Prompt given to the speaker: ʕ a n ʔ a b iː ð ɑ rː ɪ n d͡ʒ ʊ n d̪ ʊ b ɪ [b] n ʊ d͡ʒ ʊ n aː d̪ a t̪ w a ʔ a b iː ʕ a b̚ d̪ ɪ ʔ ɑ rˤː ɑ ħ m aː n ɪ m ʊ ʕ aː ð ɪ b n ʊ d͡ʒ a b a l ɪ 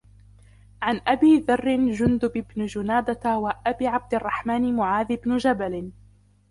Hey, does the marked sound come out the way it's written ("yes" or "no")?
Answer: yes